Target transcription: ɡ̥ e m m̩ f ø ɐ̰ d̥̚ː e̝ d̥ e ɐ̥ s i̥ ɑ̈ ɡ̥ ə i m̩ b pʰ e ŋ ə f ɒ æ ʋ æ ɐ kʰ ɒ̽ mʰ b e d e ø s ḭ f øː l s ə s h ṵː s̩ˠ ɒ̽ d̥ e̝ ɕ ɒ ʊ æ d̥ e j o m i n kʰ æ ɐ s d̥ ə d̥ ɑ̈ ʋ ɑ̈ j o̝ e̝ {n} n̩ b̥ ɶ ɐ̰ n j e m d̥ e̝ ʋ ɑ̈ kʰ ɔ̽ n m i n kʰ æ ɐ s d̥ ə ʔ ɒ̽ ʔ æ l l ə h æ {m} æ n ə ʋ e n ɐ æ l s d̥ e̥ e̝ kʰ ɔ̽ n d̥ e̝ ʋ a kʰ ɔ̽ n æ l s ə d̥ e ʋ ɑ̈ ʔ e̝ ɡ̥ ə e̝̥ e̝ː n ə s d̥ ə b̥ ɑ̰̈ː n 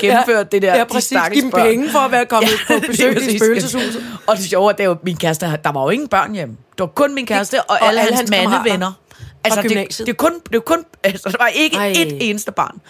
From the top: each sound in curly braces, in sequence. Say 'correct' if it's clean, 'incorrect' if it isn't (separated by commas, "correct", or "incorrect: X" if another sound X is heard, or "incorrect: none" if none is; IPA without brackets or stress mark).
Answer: incorrect: ŋ, correct